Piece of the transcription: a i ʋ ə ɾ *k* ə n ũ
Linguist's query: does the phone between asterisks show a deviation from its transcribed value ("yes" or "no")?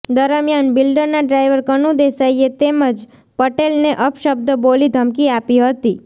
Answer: no